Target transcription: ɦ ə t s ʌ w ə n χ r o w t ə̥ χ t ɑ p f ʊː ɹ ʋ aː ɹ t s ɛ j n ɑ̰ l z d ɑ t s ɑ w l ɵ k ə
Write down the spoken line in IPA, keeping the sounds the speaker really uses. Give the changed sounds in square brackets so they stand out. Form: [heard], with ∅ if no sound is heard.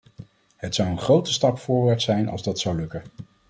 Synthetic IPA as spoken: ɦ ə t s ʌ w ə n χ r o w t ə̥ [s] t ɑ p f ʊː ɹ ʋ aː ɹ t s ɛ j n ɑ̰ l z d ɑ t s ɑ w l ɵ k ə